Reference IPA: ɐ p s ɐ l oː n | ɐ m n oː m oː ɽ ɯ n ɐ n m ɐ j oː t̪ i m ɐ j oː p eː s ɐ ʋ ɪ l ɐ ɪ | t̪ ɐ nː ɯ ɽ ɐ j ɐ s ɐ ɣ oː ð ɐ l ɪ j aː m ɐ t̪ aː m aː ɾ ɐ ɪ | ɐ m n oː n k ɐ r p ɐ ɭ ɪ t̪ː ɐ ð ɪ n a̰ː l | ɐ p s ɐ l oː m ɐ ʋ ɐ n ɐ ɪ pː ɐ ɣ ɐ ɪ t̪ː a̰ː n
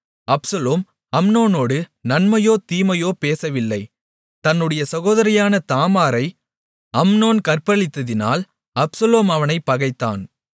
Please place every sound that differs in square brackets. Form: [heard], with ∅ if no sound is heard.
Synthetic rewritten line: ɐ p s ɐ l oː [m] | ɐ m n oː [n] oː ɽ ɯ n ɐ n m ɐ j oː t̪ [iː] m ɐ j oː p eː s ɐ ʋ ɪ [lː] ɐ ɪ | t̪ ɐ nː ɯ ɽ ɐ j ɐ s ɐ ɣ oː ð ɐ [ɾ] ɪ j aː [n] ɐ t̪ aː m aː ɾ ɐ ɪ | ɐ m n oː n k ɐ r p ɐ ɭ ɪ t̪ː ɐ ð ɪ n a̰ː l | ɐ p s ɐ l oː m ɐ ʋ ɐ n ɐ ɪ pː ɐ ɣ ɐ ɪ t̪ː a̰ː n